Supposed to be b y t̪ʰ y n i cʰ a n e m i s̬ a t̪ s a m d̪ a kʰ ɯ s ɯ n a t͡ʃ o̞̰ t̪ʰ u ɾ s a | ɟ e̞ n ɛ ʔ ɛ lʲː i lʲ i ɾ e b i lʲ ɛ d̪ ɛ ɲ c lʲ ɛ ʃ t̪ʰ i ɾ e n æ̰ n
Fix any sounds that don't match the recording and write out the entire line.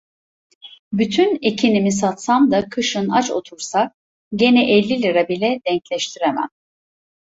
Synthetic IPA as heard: b y t̪ʰ y n e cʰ i n i m i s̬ a t̪ s a m d̪ a kʰ ɯ ʃ ɯ n a t͡ʃ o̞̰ t̪ʰ u ɾ s a | ɟ e̞ n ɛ ʔ ɛ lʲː i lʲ i ɾ a b i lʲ ɛ d̪ ɛ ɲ c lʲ ɛ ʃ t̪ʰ i ɾ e m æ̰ n